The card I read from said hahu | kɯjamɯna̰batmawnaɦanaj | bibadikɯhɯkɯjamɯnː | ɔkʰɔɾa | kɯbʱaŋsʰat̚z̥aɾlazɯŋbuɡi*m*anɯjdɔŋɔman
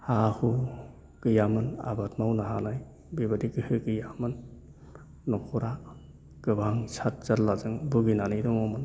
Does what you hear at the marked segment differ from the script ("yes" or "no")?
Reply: yes